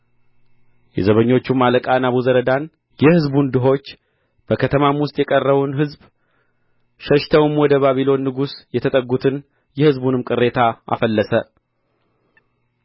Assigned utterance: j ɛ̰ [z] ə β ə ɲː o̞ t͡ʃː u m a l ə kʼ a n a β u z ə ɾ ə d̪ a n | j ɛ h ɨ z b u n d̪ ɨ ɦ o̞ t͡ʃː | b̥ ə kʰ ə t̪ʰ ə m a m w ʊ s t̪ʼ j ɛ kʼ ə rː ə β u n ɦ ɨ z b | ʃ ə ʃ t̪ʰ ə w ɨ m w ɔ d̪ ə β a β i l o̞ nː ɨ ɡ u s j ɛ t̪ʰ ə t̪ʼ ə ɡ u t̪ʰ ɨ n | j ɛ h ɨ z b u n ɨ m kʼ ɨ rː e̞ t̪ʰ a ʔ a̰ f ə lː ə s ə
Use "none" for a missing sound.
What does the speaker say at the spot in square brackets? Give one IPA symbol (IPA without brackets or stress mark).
z